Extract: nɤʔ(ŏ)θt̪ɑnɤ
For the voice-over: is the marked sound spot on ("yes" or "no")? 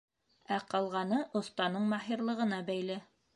yes